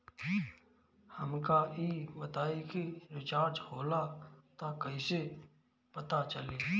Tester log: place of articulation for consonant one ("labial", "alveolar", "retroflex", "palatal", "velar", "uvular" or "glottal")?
glottal